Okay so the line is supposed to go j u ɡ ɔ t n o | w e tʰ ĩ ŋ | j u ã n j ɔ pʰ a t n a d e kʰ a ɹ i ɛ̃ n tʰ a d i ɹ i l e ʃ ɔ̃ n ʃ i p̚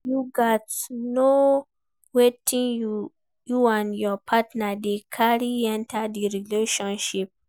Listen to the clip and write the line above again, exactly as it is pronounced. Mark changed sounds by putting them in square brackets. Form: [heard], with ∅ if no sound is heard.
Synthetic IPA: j u ɡ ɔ t n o | w e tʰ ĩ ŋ | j u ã n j ɔ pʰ a t n a d e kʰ a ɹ i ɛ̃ n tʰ a d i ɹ i l e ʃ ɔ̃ n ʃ i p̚